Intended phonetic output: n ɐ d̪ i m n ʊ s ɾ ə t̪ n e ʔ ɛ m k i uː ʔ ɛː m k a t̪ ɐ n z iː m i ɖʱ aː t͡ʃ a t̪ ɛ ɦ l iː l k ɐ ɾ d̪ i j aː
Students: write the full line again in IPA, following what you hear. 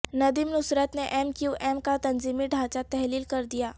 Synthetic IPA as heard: n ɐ d̪ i m n ʊ s ɾ ə t̪ n e ʔ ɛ m k j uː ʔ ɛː m k a t̪ ɐ n z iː m i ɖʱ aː t͡ʃ a t̪ ɛ ɦ l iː l k ɐ ɾ d̪ i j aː

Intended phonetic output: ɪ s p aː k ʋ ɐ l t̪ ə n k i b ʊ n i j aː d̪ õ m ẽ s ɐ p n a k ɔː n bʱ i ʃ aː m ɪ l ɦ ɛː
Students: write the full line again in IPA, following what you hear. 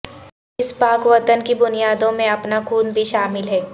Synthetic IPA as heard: ɪ s p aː k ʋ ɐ t̪ ə n k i b ʊ n i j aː d̪ õ m ẽ ɐ p n a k uː n bʱ i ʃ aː m ɪ l ɦ ɛː

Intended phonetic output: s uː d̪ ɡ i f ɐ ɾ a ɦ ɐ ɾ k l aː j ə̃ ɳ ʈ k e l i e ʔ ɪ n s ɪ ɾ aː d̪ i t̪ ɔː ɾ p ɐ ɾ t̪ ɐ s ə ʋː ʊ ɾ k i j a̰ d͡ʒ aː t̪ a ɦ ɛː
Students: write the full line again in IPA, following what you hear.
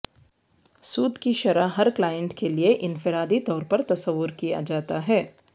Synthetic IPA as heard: s uː d̪ k i ʃ ɐ ɾ a ɦ ɐ ɾ k l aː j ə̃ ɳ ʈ k e l i e ʔ ɪ n f ɪ ɾ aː d̪ i t̪ ɔː ɾ p ɐ ɾ t̪ ɐ s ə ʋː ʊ ɾ k i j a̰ d͡ʒ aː t̪ a ɦ ɛː

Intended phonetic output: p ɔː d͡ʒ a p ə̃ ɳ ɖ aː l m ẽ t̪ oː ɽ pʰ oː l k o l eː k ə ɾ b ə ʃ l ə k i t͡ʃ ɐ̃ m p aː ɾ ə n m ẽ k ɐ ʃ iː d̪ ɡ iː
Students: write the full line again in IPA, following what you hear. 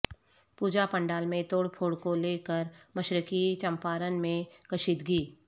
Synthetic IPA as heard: p uː d͡ʒ a p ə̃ ɳ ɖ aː l m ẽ t̪ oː ɽ pʰ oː ɽ k o l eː k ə ɾ m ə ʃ ɾ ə k i t͡ʃ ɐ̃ m p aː ɾ ə n m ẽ k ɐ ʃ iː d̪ ɡ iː

